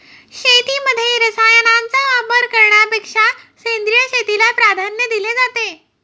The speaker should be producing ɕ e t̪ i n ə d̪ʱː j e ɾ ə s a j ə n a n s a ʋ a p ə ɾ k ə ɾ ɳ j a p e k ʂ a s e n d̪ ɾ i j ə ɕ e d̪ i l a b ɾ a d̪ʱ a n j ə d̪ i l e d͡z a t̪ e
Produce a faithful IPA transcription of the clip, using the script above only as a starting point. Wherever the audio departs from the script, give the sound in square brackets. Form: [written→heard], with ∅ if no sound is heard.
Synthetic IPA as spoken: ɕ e t̪ i [n→m] ə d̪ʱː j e ɾ ə s a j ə n a n [s→t͡s] a ʋ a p ə ɾ k ə ɾ ɳ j a p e k ʂ a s e n d̪ ɾ i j ə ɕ e [d̪→t̪] i l a [b→p] ɾ a d̪ʱ a n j ə d̪ i l e d͡z a t̪ e